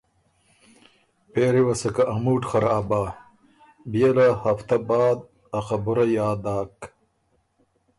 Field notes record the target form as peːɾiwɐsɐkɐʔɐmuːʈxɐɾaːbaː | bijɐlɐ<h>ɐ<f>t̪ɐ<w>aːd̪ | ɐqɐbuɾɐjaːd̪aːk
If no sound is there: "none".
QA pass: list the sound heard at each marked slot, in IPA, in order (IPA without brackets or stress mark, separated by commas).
h, f, b